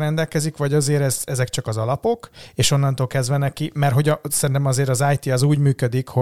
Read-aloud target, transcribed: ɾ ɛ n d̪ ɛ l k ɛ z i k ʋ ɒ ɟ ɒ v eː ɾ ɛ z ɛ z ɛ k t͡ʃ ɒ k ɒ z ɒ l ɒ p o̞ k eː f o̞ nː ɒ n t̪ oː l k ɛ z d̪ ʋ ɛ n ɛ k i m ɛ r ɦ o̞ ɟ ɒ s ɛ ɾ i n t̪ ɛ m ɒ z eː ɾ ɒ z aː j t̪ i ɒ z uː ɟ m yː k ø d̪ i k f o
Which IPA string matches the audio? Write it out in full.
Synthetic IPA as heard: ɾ ɛ n d̪ ɛ l k ɛ z i k ʋ ɒ ɟ ɒ z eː ɾ ɛ z ɛ z ɛ k t͡ʃ ɒ k ɒ z ɒ l ɒ p o̞ k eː ʃ o̞ nː ɒ n t̪ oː l k ɛ z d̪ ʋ ɛ n ɛ k i m ɛ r ɦ o̞ ɟ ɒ s ɛ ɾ i n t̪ ɛ m ɒ z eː ɾ ɒ z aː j t̪ i ɒ z uː ɟ m yː k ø d̪ i k h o